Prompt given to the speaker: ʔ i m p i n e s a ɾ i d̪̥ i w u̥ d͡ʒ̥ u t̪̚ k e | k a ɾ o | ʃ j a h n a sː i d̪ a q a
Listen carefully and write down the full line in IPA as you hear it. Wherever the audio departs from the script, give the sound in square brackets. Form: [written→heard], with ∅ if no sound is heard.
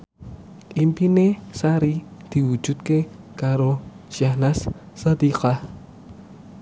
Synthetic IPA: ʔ i m p i n e s a ɾ i d̪̥ i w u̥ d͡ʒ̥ u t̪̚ k e | k a ɾ o | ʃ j a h n a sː [i→a] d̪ [a→i] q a